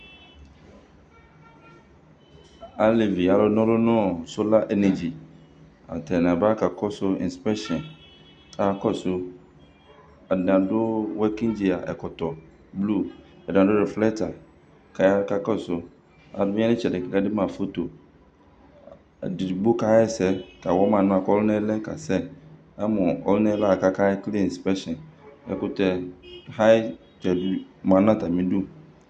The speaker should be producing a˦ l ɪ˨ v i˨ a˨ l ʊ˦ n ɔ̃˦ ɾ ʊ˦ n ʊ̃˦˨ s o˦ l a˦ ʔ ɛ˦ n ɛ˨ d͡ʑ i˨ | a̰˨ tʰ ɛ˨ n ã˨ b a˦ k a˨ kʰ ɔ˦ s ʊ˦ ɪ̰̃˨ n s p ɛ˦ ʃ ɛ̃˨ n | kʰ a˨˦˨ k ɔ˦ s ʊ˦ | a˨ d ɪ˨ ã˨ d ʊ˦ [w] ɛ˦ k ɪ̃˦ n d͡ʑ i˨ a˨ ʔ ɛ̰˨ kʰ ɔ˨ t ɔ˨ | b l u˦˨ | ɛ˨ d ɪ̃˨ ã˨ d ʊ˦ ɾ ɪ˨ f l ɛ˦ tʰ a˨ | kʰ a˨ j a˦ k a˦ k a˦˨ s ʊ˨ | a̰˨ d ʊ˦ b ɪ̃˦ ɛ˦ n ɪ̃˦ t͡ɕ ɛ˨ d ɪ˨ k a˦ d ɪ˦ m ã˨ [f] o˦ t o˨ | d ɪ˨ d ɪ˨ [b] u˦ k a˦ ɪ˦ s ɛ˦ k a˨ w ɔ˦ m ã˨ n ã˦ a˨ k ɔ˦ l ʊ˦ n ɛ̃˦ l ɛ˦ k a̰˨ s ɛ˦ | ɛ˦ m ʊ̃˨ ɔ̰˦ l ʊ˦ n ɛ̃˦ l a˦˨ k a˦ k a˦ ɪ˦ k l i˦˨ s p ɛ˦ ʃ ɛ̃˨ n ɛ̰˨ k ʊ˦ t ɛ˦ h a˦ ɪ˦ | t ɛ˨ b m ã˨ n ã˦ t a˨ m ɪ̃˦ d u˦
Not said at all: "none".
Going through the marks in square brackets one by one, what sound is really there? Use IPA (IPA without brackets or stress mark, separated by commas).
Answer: w, f, b